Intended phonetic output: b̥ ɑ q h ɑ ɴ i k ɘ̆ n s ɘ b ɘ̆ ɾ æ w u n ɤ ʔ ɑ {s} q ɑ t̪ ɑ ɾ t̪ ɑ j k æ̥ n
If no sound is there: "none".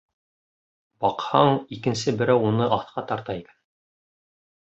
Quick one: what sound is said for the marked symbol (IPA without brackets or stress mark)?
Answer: θ